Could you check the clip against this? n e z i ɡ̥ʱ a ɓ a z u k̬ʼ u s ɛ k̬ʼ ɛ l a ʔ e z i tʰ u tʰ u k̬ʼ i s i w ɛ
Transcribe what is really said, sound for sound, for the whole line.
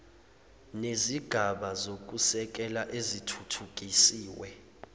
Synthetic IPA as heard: n e z i ɡ̥ʱ a ɓ a z o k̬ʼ u s ɛ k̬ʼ ɛ l a ʔ e z i tʰ u tʰ u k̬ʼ i s iː w ɛ